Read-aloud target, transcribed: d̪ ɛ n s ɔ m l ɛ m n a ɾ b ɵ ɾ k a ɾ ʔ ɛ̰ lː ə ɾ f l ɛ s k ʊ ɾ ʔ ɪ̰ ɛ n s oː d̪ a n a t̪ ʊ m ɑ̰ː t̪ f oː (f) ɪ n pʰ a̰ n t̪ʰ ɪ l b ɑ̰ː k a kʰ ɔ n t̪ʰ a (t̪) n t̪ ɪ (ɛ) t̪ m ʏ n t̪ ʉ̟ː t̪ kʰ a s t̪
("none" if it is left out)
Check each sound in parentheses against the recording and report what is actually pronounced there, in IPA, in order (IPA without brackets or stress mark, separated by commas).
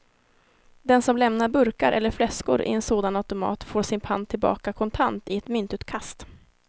ʂ, none, ɛ